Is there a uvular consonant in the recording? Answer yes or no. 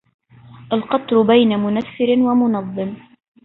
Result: yes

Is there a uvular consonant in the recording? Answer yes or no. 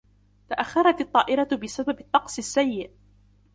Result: yes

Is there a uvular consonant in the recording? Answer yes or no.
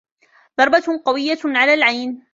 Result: yes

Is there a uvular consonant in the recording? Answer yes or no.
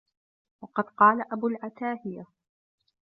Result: yes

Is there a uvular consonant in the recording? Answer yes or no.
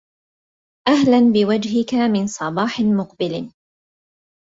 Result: yes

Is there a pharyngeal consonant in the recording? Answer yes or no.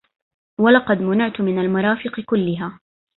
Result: yes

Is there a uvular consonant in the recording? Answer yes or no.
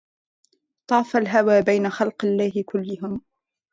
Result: yes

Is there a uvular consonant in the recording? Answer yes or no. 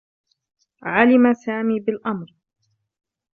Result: no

